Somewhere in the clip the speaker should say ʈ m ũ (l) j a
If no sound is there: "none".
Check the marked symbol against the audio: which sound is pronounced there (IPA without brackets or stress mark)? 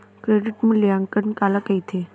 l